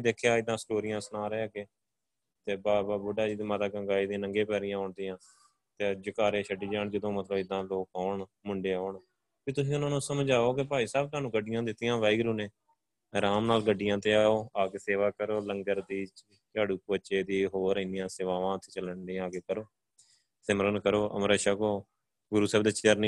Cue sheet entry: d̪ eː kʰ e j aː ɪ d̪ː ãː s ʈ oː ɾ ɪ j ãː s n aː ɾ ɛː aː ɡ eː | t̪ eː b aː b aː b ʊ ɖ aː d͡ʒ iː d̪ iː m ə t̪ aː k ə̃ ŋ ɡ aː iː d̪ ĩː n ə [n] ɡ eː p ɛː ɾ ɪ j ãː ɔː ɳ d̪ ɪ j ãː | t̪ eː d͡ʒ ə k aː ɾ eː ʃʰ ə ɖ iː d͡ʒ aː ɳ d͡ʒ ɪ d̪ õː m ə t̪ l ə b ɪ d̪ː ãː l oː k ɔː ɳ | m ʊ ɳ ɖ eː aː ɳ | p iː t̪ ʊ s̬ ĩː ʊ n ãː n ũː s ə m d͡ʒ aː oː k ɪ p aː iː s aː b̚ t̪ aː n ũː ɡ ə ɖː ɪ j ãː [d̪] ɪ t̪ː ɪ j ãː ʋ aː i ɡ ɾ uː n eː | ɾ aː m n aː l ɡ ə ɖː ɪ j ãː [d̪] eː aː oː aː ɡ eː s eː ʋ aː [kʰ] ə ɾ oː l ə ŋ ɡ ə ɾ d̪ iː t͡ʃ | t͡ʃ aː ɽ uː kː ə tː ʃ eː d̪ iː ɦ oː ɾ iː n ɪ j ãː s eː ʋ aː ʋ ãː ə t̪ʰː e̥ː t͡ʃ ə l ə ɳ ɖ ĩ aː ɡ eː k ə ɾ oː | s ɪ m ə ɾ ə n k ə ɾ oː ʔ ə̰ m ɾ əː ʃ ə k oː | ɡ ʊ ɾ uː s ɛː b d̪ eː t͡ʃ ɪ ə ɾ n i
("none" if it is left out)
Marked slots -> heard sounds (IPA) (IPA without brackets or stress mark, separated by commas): ŋ, d̪, t̪, k